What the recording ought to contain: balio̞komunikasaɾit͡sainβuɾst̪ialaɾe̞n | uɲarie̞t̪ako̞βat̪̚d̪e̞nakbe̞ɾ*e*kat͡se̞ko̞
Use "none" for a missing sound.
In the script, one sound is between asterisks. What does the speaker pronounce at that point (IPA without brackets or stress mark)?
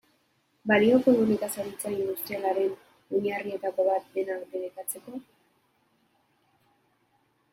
e